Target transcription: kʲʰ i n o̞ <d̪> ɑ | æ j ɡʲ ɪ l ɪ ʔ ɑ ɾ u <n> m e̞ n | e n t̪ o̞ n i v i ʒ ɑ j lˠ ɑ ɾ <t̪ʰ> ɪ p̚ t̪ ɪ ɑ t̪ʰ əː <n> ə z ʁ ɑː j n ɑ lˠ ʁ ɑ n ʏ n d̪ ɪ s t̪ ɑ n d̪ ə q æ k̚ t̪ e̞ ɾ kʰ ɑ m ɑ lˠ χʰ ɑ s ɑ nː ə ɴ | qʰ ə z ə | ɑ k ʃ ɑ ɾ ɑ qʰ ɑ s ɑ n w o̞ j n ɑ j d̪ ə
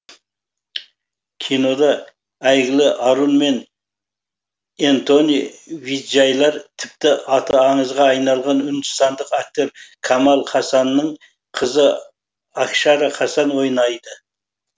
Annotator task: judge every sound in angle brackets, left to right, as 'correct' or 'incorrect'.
correct, correct, correct, incorrect: ɴ

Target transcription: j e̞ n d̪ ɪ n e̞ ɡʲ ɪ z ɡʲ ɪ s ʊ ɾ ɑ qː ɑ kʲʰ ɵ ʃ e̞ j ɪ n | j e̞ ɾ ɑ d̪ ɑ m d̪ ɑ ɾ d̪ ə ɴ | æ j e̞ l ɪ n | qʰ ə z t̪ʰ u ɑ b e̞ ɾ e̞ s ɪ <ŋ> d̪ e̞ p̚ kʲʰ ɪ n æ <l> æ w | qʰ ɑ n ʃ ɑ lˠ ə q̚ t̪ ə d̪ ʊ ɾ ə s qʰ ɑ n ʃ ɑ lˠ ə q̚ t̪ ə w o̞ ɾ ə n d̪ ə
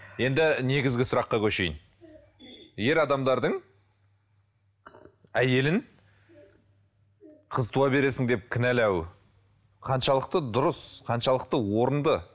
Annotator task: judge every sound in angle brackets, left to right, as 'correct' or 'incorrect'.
correct, correct

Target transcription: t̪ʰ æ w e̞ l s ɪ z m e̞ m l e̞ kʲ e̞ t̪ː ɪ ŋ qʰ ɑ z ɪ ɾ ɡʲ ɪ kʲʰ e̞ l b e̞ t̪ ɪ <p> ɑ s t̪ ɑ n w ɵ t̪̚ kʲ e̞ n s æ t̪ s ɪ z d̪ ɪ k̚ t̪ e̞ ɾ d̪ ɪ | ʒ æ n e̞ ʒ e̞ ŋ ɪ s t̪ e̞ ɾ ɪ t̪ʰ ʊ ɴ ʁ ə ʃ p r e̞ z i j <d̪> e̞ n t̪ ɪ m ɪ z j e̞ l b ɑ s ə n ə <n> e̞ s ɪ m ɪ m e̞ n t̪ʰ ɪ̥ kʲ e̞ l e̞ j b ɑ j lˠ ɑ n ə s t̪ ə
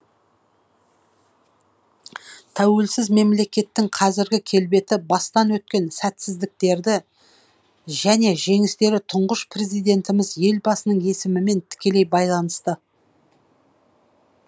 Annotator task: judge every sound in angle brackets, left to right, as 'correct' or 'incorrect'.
incorrect: b, correct, incorrect: ɴ

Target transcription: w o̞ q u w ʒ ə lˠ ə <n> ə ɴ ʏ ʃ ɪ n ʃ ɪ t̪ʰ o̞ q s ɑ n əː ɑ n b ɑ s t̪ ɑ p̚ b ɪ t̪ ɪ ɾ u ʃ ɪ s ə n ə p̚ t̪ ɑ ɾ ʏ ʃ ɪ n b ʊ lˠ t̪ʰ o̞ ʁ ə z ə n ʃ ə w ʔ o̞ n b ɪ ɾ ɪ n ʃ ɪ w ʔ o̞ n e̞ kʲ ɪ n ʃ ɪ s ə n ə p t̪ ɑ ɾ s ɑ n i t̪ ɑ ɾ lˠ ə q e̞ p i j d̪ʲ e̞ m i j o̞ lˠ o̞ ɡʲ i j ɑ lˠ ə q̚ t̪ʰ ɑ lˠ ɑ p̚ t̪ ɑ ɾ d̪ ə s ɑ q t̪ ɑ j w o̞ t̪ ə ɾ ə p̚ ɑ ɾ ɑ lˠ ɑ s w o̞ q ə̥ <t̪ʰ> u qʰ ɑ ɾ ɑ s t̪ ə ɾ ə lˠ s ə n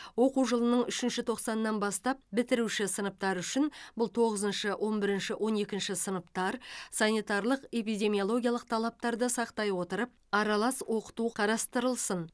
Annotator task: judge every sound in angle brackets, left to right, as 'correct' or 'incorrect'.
correct, incorrect: t̪

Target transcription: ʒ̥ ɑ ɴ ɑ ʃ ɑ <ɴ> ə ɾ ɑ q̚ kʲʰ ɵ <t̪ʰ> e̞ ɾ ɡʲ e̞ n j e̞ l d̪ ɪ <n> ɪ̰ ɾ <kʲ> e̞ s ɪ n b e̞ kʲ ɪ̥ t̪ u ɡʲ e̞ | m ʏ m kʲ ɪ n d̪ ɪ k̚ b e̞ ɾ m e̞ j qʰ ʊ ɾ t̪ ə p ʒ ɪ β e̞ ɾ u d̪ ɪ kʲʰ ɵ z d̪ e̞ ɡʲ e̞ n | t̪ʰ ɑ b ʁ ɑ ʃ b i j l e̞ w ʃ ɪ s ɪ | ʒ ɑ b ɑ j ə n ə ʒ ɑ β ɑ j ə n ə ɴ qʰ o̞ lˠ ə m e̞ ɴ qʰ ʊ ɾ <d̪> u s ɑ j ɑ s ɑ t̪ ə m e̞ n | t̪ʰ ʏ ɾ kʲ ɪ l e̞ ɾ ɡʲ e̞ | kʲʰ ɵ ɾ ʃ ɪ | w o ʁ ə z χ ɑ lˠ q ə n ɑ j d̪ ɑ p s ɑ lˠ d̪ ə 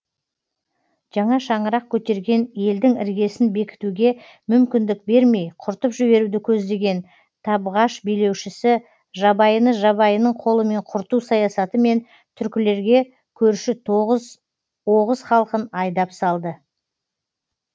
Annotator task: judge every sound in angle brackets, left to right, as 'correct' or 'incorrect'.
correct, incorrect: t̪, incorrect: ŋ, incorrect: ɡʲ, incorrect: t̪

